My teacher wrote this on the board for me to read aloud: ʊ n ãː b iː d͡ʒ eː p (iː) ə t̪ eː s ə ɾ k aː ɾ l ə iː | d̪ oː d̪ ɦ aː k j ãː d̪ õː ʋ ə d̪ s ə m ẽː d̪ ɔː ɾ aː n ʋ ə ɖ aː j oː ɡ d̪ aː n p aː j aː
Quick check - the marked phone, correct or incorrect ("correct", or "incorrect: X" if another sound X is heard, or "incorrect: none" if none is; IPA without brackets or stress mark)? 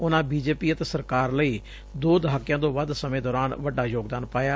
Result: correct